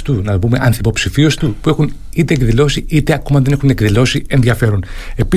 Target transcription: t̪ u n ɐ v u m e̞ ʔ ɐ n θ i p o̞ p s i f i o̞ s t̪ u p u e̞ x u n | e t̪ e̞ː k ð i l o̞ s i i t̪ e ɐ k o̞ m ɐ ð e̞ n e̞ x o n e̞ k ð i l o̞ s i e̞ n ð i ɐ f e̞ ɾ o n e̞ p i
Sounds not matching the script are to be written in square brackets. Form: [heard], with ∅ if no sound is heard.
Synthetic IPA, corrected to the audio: t̪ u n ɐ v u m e̞ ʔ ɐ n θ i p o̞ p s i f i o̞ s t̪ u p u e̞ x u n | [i] t̪ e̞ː k ð i l o̞ s i i t̪ e ɐ k o̞ m ɐ ð e̞ n e̞ x [u] n e̞ k ð i l o̞ s i e̞ n ð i ɐ f e̞ ɾ o n e̞ p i